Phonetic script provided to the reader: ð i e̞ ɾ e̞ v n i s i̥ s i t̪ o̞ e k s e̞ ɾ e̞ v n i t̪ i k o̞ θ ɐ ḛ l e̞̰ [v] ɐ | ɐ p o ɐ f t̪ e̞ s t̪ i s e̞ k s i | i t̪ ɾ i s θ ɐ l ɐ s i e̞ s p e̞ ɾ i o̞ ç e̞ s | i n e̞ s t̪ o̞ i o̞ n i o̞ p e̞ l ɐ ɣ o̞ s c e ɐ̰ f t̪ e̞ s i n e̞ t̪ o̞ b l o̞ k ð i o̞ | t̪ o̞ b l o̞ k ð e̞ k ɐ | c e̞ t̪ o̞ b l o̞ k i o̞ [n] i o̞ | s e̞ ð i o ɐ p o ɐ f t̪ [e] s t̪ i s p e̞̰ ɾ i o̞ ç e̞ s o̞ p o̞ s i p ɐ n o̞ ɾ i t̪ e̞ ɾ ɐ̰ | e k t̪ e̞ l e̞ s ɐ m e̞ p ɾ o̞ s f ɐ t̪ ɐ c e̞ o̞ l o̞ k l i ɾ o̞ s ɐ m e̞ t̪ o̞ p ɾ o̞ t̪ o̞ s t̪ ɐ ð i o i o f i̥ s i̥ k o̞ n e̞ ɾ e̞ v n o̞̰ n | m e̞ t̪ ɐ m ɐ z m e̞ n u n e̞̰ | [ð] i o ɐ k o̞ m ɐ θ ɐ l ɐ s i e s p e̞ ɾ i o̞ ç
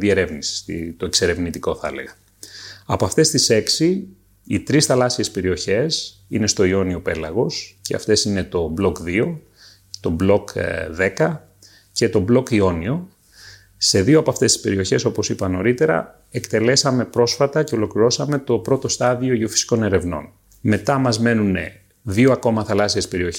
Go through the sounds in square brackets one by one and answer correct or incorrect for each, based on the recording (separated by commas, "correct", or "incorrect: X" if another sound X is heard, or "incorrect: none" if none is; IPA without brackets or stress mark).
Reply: incorrect: ɣ, correct, correct, correct